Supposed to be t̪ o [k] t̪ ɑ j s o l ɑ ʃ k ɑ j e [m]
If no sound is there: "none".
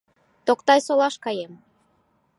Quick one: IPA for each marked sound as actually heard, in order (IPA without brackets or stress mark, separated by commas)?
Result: k, m